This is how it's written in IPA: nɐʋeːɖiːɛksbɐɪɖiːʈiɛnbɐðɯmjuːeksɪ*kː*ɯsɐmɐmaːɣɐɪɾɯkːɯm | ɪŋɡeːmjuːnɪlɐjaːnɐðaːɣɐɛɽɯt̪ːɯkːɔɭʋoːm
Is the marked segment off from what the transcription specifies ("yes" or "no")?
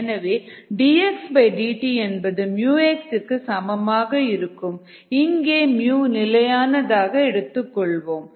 no